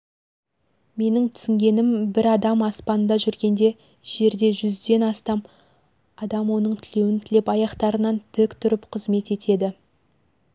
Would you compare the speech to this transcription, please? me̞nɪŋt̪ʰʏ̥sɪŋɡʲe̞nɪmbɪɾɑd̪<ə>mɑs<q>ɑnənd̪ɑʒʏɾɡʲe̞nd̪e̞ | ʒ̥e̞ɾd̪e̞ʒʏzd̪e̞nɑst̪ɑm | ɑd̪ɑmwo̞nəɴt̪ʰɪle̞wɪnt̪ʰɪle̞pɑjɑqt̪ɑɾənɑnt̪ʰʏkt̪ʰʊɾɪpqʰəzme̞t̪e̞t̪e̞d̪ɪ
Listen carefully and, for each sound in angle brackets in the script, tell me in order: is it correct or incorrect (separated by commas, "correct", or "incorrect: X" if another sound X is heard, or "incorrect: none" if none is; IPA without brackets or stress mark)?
incorrect: ɑ, incorrect: p